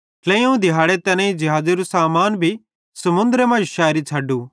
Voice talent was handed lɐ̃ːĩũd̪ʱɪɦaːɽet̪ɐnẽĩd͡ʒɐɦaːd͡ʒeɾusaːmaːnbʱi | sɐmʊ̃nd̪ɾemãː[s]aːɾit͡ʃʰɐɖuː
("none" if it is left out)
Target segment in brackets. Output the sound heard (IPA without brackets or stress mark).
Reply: ʃ